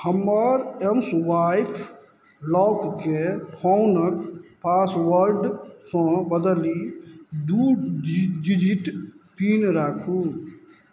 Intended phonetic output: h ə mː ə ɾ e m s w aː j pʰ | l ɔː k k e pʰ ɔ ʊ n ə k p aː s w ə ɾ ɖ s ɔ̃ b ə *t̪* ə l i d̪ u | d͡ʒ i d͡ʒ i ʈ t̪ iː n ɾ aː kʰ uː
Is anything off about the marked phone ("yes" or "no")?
yes